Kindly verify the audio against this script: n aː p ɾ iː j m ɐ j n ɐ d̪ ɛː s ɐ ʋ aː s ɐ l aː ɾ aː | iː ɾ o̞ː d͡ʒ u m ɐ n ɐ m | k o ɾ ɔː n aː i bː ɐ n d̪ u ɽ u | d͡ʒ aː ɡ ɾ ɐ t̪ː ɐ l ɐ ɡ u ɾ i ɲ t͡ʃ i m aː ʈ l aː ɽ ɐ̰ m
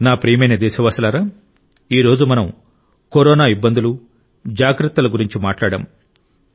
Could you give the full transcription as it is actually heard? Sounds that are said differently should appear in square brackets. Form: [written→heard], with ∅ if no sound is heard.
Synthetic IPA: n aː p ɾ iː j m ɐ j n ɐ d̪ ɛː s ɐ ʋ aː s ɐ l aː ɾ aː | iː ɾ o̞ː d͡ʒ u m ɐ n ɐ m | k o ɾ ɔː n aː i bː ɐ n d̪ u [ɽ→l] u | d͡ʒ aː ɡ ɾ ɐ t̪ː ɐ l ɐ ɡ u ɾ i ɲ t͡ʃ i m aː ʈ l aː ɽ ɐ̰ m

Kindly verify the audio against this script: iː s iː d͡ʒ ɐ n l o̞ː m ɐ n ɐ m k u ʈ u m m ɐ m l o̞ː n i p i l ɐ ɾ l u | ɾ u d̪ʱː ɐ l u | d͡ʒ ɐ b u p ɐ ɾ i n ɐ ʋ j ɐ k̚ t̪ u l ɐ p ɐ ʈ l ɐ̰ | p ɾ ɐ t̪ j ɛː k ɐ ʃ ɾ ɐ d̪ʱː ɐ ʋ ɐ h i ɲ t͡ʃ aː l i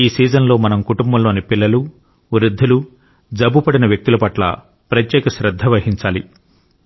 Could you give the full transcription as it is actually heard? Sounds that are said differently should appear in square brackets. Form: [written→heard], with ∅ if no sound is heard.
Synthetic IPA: iː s iː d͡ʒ ɐ n l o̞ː m ɐ n ɐ m k u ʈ u m [m→b] ɐ m l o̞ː n i p i [l→lː] ɐ [ɾ→∅] l u | ɾ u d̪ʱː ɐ l u | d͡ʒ ɐ b u p ɐ [ɾ→ɽ] i n ɐ ʋ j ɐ k̚ t̪ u l ɐ p ɐ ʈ l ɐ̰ | p ɾ ɐ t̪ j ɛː k ɐ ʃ ɾ ɐ d̪ʱː ɐ ʋ ɐ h i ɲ t͡ʃ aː l i

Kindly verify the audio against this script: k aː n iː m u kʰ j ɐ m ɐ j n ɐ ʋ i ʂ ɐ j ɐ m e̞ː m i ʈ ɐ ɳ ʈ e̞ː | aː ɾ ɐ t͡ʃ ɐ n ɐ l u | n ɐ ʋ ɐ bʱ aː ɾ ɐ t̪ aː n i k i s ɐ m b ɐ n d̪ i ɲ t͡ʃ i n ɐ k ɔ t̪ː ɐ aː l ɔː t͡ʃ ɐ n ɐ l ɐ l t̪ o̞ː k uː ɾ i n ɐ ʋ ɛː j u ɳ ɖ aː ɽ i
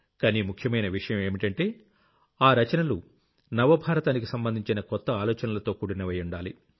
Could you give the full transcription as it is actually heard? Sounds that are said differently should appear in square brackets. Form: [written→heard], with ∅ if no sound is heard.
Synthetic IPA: k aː n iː m u kʰ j ɐ m ɐ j n ɐ ʋ i ʂ ɐ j ɐ m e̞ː m i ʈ ɐ ɳ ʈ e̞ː | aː ɾ ɐ t͡ʃ ɐ n ɐ l u | n ɐ ʋ ɐ bʱ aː ɾ ɐ t̪ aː n i k i s ɐ m b ɐ n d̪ i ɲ t͡ʃ i n ɐ k ɔ t̪ː ɐ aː l ɔː t͡ʃ ɐ n ɐ l ɐ [l→∅] t̪ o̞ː k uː [ɾ→ɽ] i n ɐ ʋ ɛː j u ɳ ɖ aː [ɽ→l] i

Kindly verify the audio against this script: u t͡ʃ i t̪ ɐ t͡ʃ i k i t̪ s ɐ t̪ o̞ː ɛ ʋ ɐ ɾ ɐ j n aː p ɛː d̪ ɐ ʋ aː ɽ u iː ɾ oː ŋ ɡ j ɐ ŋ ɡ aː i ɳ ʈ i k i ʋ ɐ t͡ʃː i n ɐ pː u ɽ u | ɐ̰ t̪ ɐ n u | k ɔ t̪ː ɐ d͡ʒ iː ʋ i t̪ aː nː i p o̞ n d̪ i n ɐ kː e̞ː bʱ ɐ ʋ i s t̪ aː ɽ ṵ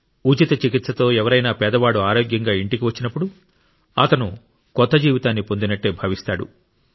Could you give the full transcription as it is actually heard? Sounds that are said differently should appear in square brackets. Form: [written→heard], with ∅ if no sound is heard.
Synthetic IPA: u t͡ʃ i t̪ ɐ t͡ʃ i k i t̪ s ɐ t̪ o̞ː ɛ ʋ ɐ ɾ ɐ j n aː p ɛː d̪ ɐ ʋ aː ɽ u [iː→aː] ɾ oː [ŋ→∅] ɡ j ɐ ŋ ɡ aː i ɳ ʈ i k i ʋ ɐ t͡ʃː i n ɐ pː u ɽ u | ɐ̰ t̪ ɐ n u | k ɔ t̪ː ɐ d͡ʒ iː ʋ i t̪ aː nː i p o̞ n d̪ i n ɐ [kː→ʈː] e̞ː bʱ ɐ ʋ i s t̪ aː ɽ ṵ

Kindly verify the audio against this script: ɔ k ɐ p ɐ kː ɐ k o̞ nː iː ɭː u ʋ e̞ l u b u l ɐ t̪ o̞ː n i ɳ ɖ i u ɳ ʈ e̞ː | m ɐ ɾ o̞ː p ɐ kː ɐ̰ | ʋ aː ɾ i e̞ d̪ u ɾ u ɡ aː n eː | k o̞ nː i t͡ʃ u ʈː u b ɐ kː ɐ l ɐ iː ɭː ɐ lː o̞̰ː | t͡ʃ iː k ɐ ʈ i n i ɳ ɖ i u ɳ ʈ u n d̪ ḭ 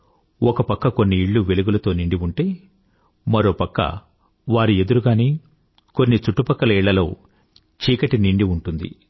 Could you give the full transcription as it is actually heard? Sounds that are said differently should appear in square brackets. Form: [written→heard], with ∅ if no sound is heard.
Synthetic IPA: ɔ k ɐ p ɐ kː ɐ k o̞ nː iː ɭː u ʋ e̞ l u [b→ɡ] u l ɐ t̪ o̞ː n i ɳ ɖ i u ɳ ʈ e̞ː | m ɐ ɾ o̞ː p ɐ kː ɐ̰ | ʋ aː ɾ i e̞ d̪ u ɾ u ɡ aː n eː | k o̞ nː i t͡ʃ u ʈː u [b→p] ɐ kː ɐ l ɐ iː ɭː ɐ [lː→l] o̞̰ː | t͡ʃ iː k ɐ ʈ i n i ɳ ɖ i u ɳ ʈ u n d̪ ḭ

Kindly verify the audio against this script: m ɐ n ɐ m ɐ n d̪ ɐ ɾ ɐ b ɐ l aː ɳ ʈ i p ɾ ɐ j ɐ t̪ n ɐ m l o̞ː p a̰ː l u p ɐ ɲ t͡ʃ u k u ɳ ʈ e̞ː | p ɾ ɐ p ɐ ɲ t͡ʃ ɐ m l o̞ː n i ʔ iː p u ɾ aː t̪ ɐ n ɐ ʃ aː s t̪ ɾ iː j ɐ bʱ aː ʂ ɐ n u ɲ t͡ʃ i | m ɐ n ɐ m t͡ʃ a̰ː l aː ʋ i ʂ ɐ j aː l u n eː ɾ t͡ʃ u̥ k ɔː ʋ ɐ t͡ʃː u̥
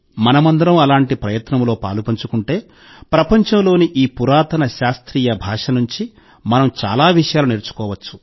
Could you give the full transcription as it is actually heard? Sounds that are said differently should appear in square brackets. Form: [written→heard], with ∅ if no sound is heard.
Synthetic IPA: m ɐ n ɐ m ɐ n d̪ ɐ ɾ ɐ [b→m] ɐ l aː ɳ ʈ i p ɾ ɐ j ɐ t̪ n ɐ m l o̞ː p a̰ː l u p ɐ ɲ t͡ʃ u k u ɳ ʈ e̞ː | p ɾ ɐ p ɐ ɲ t͡ʃ ɐ m l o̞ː n i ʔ iː p u ɾ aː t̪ ɐ n ɐ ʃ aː s t̪ ɾ iː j ɐ bʱ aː ʂ ɐ n u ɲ t͡ʃ i | m ɐ n ɐ m t͡ʃ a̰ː l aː ʋ i ʂ ɐ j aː l u n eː ɾ t͡ʃ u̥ k ɔː ʋ ɐ t͡ʃː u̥

